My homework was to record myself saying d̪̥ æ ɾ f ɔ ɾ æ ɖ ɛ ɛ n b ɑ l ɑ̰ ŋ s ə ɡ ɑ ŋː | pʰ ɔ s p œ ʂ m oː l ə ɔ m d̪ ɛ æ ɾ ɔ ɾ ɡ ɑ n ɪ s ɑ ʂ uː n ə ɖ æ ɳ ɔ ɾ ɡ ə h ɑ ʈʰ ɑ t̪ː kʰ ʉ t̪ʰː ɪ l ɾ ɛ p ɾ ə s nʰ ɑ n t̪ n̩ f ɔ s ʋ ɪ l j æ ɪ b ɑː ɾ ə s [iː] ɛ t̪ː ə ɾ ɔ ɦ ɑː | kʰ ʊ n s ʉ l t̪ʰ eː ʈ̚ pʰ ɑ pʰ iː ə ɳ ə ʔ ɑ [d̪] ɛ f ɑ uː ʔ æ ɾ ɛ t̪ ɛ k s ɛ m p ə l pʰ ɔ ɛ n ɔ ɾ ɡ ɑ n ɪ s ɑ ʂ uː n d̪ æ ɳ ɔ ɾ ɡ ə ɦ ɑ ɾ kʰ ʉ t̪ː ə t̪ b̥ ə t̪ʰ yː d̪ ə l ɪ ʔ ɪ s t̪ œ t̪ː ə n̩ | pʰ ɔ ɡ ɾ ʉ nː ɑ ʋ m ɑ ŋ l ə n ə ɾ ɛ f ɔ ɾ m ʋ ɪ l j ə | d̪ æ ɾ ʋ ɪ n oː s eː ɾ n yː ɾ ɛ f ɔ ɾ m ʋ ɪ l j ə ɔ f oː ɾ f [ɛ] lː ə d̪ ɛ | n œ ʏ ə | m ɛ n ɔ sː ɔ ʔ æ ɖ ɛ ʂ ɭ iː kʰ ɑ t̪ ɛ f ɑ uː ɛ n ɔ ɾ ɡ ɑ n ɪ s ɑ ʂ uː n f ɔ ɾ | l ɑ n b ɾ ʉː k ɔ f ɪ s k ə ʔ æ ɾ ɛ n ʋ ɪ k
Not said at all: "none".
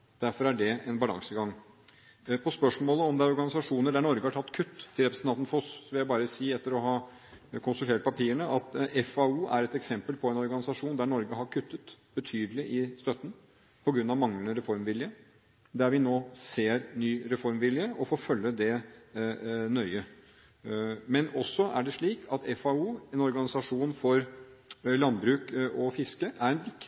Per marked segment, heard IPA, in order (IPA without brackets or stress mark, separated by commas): iː, t̪, œ